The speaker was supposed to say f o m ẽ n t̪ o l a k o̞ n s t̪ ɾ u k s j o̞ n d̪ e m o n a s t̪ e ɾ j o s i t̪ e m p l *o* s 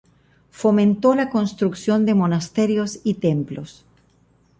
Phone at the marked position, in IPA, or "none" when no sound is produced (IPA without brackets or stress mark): o